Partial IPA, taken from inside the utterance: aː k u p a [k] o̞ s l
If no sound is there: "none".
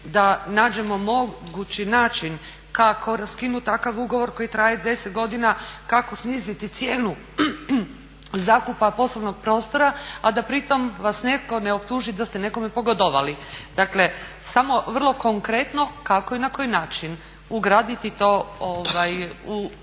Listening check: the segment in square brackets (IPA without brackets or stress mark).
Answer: p